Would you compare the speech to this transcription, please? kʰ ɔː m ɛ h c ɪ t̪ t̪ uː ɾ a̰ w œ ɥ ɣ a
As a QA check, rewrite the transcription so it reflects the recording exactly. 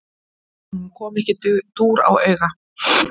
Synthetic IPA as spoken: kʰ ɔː m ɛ h c ɪ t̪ t̪ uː ɾ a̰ w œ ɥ ɣ a